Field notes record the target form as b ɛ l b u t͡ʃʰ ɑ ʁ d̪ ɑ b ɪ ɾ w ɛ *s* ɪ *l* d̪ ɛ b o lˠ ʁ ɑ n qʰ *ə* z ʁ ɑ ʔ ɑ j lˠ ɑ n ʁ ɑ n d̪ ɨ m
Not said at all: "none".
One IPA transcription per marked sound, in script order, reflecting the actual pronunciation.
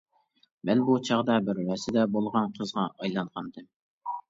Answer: s, none, ə

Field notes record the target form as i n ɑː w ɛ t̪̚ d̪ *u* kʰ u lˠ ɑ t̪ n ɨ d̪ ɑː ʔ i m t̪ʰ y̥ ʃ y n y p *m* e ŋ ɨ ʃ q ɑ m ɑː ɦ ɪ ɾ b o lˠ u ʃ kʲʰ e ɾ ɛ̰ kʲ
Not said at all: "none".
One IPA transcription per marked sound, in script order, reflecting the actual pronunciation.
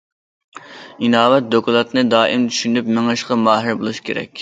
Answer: o, m

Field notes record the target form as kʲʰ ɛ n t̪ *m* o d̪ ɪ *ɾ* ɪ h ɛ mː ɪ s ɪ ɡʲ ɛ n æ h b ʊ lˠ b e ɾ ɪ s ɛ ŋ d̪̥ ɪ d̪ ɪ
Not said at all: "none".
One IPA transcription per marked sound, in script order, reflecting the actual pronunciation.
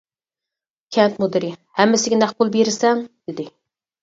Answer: m, ɾ

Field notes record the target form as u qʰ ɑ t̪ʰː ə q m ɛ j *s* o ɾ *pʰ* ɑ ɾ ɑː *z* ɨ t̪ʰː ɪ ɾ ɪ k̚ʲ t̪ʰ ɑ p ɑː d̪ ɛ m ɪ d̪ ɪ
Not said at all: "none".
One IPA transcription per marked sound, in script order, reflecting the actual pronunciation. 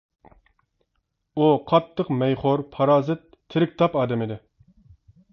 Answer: χ, pʰ, z

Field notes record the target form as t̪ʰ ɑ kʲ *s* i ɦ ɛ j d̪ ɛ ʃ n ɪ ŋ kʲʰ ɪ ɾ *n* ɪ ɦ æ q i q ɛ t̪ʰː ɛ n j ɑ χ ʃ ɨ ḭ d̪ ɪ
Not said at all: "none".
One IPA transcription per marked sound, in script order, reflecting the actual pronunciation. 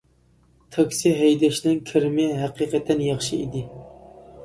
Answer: s, m

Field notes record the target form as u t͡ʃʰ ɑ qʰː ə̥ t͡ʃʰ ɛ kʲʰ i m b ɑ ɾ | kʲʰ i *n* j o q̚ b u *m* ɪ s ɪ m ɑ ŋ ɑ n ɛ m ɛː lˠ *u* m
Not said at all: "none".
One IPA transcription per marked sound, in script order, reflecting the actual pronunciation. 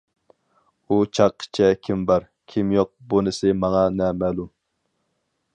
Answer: m, n, u

